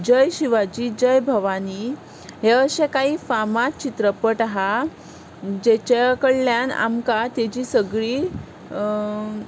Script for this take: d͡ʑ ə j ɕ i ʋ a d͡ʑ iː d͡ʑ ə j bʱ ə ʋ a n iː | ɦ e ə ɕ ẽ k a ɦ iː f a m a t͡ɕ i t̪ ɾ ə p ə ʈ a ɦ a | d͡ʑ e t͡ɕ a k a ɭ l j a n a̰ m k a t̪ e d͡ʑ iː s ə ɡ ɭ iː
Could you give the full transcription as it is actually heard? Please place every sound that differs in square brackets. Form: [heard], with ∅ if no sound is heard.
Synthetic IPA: d͡ʑ ə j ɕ i ʋ a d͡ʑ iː d͡ʑ ə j bʱ ə ʋ a n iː | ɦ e ə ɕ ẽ k a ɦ iː f a m a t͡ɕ i t̪ ɾ ə p ə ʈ a ɦ a | d͡ʑ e t͡ɕ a k [ə] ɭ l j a n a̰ m k a t̪ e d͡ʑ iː s ə ɡ ɭ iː

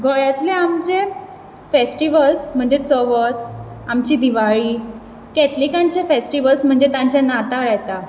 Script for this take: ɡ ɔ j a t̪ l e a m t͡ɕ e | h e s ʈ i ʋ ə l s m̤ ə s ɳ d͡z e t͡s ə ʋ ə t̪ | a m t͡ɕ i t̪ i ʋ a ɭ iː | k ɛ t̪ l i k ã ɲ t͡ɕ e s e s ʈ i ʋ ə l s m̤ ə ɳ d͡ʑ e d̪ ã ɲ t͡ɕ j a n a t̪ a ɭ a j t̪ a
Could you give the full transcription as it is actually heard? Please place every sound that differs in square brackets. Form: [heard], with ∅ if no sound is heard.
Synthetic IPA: ɡ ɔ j a t̪ l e a m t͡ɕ e | [f] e s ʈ i ʋ ə l s m̤ ə [∅] ɳ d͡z e t͡s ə ʋ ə t̪ | a m t͡ɕ i [d̪] i ʋ a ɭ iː | k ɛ t̪ l i k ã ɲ t͡ɕ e [f] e s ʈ i ʋ ə l s m̤ ə ɳ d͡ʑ e [t̪] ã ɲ t͡ɕ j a n a t̪ a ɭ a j t̪ a

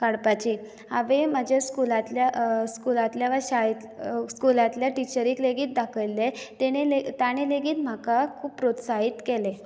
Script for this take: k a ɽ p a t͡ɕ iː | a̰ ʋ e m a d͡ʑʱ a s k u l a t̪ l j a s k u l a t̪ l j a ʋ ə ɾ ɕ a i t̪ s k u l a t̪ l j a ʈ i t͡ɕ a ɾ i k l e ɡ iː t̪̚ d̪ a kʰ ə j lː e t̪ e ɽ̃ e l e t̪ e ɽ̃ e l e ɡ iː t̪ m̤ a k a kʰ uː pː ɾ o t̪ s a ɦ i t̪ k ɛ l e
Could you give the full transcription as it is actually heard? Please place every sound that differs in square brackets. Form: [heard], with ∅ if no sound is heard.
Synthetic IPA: k a ɽ p a t͡ɕ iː | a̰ ʋ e m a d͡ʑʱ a s k u l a t̪ l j a s k u l a t̪ l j a ʋ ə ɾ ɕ a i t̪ s k u l a t̪ l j a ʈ i t͡ɕ [ə] ɾ i k l e ɡ iː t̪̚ d̪ a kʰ ə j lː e t̪ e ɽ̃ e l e t̪ [a] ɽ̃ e l e ɡ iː t̪ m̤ a k a kʰ uː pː ɾ o t̪ s a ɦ i t̪ k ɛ l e

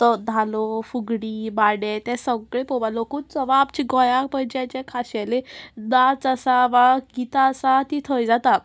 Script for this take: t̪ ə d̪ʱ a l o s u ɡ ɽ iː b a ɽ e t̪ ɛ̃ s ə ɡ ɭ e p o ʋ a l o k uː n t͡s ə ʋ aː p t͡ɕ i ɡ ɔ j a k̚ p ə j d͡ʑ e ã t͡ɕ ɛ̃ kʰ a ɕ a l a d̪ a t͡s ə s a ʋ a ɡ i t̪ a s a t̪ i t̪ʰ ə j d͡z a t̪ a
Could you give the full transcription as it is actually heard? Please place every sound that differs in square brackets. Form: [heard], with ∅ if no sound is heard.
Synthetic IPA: t̪ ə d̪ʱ a l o [f] u ɡ ɽ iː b a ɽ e t̪ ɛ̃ s ə ɡ ɭ e p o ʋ a l o k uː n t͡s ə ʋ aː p t͡ɕ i ɡ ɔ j a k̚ p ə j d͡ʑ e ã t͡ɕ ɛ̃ kʰ a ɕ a l [e] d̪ a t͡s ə s a ʋ a ɡ i t̪ a s a t̪ i t̪ʰ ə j d͡z a t̪ a

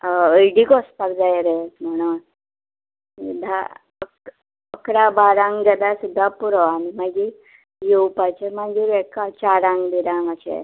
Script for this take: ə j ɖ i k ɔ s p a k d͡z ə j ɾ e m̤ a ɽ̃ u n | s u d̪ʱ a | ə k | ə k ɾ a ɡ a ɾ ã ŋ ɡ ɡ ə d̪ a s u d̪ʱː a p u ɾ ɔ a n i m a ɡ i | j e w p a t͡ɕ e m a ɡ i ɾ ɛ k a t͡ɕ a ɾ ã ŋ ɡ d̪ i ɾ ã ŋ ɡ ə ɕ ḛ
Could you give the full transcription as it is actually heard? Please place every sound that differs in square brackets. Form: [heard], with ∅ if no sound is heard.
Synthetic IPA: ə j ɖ i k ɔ s p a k d͡z [a] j ɾ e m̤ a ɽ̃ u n | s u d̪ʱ a | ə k | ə k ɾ a [b] a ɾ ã ŋ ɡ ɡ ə d̪ a s u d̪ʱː a p u ɾ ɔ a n i m a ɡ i | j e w p a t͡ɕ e m a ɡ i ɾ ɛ k a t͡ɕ a ɾ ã ŋ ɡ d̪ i ɾ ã ŋ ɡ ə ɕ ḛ

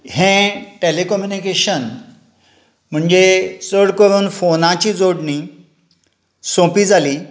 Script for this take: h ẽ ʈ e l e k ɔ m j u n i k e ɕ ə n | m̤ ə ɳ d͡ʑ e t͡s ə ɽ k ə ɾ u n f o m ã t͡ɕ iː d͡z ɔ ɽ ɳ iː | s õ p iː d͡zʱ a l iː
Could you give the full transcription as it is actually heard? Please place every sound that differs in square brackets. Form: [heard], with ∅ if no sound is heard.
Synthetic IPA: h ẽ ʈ e l e k ɔ m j u n i k e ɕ ə n | m̤ ə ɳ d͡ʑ e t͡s ə ɽ k ə ɾ [uː] n f o [n] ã t͡ɕ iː d͡z [o] ɽ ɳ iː | s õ p iː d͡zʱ a l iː

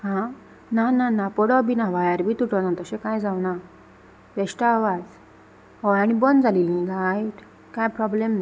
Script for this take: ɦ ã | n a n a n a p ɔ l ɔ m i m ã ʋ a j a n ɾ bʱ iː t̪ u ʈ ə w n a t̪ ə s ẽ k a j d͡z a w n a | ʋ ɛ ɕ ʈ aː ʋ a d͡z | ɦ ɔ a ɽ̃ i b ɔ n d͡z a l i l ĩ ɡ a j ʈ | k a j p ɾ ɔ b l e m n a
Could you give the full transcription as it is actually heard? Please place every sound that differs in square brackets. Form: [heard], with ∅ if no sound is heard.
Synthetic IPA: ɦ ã | n a n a n a p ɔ [ɽ] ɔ [b] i [n] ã ʋ a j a [∅] ɾ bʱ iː t̪ u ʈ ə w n a t̪ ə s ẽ k a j d͡z a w n a | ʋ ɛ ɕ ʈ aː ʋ a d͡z | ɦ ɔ a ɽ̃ i b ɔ n d͡z a l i l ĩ ɡ a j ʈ | k a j p ɾ ɔ b l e m n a

